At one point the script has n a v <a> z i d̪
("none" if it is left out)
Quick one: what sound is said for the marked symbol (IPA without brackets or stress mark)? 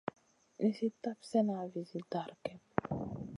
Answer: i